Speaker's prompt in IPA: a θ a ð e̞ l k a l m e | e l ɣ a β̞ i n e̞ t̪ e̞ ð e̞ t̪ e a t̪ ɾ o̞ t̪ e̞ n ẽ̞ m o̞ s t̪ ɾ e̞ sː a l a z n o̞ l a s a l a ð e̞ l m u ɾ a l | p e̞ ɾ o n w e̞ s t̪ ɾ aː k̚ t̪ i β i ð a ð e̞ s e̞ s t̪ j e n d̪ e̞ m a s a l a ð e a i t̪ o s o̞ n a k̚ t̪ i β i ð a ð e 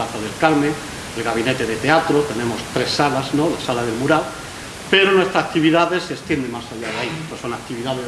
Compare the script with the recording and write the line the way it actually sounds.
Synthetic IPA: a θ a ð e̞ l k a l m e | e l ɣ a β̞ i n e̞ t̪ e̞ ð e̞ t̪ e a t̪ ɾ o̞ t̪ e̞ n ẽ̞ m o̞ s t̪ ɾ e̞ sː a l a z n o̞ l a s a l a ð e̞ l m u ɾ a l | p e̞ ɾ o n w e̞ s t̪ ɾ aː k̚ t̪ i β i ð a ð e̞ s e̞ s t̪ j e n d̪ e̞ m a s a ʎ a ð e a i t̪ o s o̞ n a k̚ t̪ i β i ð a ð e

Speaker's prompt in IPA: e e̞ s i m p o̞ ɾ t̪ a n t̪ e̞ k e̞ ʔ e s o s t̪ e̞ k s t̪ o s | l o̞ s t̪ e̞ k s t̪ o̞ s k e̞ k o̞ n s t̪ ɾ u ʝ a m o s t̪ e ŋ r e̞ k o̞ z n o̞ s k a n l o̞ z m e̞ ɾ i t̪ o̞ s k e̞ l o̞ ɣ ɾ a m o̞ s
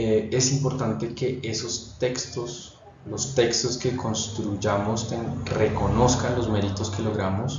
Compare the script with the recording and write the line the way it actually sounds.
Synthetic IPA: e e̞ s i m p o̞ ɾ t̪ a n t̪ e̞ k e̞ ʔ e s o s t̪ e̞ k s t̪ o s | l o̞ s t̪ e̞ k s t̪ o̞ s k e̞ k o̞ n s t̪ ɾ u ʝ a m o s t̪ e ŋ r e̞ k o̞ n o̞ s k a n l o̞ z m e̞ ɾ i t̪ o̞ s k e̞ l o̞ ɣ ɾ a m o̞ s

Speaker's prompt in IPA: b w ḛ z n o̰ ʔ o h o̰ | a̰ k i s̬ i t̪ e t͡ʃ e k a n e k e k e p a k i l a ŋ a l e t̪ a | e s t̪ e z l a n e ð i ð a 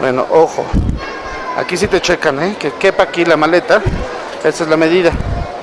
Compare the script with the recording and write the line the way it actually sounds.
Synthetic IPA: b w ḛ n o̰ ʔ o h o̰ | a̰ k i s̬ i t̪ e t͡ʃ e k a n e k e k e p a k i l a m a l e t̪ a | e s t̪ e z l a m e ð i ð a

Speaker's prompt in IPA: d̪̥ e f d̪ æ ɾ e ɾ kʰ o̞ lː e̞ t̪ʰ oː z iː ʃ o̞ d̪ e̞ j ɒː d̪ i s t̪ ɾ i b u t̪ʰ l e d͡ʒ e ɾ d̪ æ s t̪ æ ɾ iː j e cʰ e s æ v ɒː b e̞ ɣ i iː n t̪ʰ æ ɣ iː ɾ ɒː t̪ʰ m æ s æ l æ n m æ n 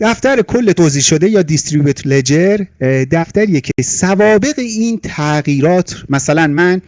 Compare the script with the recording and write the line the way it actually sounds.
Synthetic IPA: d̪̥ æ f t̪ æ ɾ e kʰ o̞ lː e̞ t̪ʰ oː z iː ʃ o̞ d̪ e̞ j ɒː d̪ i s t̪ ɾ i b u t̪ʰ l e d͡ʒ e ɾ d̪ æ f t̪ æ ɾ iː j e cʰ e s æ v ɒː b e̞ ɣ e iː n t̪ʰ æ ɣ iː ɾ ɒː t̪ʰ m æ s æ l æ n m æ n

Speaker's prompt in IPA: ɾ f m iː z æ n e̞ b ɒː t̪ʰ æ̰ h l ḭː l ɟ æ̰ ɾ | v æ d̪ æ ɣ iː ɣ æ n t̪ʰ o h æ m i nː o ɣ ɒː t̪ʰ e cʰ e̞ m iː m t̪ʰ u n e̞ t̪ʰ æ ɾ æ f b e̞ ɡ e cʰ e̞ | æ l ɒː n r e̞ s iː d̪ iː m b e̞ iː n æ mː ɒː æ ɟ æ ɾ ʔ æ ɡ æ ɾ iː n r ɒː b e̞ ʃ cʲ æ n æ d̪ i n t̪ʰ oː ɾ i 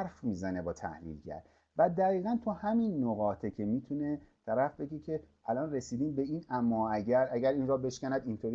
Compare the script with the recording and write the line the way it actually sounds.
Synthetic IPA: ɾ f m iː z æ n e̞ b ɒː t̪ʰ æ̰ h l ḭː l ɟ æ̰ ɾ | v æ d̪ æ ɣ iː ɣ æ n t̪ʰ o h æ m i nː o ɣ ɒː t̪ʰ e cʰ e̞ m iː t̪ʰ u n e̞ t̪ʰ æ ɾ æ f b e̞ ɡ e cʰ e̞ | æ l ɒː n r e̞ s iː d̪ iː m b e̞ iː n æ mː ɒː æ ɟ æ ɾ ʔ æ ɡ æ ɾ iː n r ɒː b e̞ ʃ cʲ æ n æ d̪ i n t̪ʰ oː ɾ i

